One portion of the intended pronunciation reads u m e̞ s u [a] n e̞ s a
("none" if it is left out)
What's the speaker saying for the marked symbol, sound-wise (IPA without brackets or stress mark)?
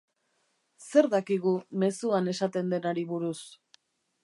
a